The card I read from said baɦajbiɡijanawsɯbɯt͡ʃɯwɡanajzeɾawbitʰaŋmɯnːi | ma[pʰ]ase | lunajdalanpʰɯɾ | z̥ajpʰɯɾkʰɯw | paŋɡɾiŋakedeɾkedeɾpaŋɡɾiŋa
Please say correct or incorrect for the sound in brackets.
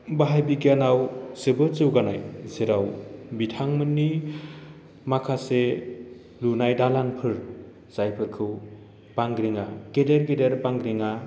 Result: incorrect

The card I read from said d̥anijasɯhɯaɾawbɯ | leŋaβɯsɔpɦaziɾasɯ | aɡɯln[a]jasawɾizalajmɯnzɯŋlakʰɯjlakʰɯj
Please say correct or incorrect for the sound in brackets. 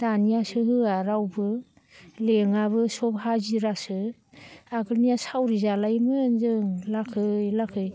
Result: incorrect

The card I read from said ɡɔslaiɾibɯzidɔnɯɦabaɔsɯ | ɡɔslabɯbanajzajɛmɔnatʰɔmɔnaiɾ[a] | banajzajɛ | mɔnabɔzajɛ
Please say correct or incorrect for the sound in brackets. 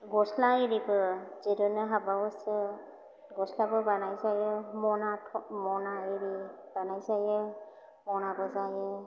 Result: incorrect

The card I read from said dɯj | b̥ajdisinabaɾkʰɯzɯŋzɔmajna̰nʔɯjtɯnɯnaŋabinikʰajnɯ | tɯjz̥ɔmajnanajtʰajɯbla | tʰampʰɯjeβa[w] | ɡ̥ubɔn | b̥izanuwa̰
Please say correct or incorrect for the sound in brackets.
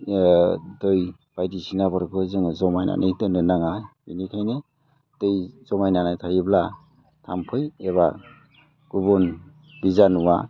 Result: incorrect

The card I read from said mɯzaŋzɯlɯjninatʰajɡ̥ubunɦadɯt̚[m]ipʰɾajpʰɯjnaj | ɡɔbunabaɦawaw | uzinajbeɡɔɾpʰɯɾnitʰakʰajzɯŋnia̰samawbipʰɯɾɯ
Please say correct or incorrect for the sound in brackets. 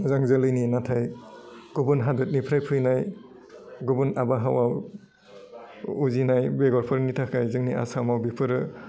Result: incorrect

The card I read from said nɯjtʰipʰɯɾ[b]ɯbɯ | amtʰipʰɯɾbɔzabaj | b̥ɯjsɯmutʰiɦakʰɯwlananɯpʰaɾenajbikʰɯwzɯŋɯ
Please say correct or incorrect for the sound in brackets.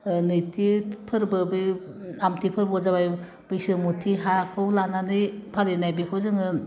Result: correct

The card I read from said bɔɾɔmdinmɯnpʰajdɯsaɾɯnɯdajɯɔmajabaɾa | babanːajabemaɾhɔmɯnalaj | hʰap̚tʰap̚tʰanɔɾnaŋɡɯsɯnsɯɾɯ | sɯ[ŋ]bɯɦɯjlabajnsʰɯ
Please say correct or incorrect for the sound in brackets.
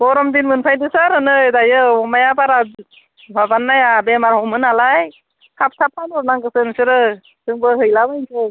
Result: correct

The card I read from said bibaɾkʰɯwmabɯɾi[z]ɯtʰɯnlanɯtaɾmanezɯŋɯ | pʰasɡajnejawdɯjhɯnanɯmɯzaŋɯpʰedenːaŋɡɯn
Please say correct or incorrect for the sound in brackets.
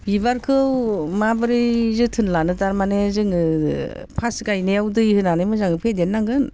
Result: correct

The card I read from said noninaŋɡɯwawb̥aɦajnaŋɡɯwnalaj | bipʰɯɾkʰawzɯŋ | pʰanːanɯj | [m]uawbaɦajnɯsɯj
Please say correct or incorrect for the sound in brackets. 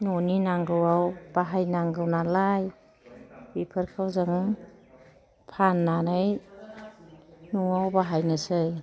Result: incorrect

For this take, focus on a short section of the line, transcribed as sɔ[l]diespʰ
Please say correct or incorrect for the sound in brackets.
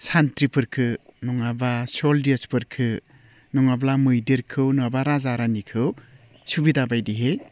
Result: correct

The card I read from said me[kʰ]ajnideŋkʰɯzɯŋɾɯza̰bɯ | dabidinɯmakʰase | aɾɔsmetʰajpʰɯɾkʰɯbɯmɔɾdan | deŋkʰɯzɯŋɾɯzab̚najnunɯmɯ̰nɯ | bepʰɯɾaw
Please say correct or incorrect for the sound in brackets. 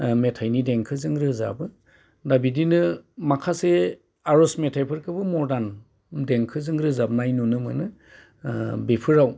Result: incorrect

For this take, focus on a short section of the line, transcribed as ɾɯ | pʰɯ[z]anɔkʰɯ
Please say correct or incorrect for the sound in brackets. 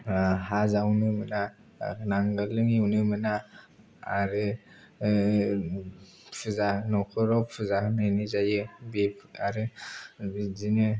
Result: correct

